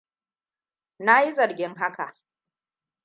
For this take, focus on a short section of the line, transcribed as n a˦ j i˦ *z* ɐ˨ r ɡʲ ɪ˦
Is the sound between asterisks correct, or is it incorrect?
correct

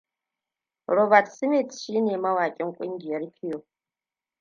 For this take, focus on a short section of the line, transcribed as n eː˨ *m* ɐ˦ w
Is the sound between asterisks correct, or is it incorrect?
correct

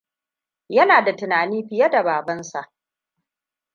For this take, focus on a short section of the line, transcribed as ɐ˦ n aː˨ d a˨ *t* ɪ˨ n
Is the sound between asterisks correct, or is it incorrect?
correct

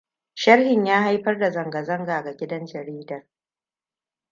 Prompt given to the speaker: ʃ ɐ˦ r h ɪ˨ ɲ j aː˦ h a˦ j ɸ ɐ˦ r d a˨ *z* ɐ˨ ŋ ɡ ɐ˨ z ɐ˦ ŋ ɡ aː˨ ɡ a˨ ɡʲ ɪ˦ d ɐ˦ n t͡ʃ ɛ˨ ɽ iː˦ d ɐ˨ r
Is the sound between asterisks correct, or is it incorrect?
correct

